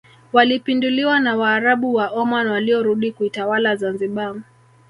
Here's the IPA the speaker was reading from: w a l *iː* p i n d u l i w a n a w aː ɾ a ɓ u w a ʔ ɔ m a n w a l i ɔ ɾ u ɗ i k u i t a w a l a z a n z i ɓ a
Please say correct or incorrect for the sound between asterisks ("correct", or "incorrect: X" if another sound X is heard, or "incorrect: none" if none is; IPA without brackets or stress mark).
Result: incorrect: i